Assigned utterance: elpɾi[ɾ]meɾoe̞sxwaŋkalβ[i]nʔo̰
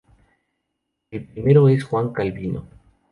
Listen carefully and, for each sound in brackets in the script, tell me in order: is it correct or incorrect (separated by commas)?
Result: incorrect, correct